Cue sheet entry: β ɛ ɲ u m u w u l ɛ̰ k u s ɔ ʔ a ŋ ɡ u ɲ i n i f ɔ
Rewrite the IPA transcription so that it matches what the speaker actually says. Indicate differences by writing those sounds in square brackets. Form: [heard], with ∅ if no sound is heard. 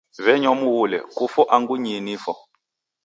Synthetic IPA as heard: β ɛ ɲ [ɔ] m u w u l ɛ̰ k u [f] ɔ ʔ a ŋ ɡ u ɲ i n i f ɔ